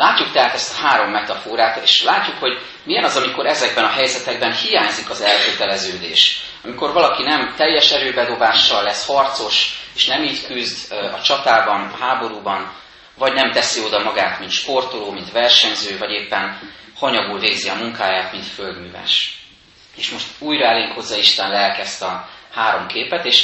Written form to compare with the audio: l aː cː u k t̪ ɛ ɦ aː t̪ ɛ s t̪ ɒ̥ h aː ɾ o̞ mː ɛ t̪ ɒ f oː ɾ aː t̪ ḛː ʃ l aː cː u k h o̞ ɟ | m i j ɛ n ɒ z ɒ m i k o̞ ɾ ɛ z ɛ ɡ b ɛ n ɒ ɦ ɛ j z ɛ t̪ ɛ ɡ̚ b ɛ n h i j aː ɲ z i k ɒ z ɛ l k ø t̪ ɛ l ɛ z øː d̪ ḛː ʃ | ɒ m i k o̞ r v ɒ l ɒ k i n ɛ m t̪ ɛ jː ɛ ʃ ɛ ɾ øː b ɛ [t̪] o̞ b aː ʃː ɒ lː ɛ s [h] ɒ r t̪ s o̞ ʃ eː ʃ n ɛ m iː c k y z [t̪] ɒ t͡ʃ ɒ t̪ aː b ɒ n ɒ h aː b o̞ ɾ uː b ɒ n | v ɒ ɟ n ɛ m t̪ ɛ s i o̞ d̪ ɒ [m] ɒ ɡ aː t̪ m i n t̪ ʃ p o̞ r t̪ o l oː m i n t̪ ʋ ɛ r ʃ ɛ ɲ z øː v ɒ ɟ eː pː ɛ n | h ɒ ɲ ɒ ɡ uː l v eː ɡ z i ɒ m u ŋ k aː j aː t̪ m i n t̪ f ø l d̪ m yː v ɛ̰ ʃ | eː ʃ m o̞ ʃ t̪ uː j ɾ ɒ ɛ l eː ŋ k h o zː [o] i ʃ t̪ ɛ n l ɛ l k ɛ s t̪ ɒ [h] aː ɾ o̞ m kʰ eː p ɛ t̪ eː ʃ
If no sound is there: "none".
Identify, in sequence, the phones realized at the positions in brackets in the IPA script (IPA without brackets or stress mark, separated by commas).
d̪, h, d̪, m, ɒ, h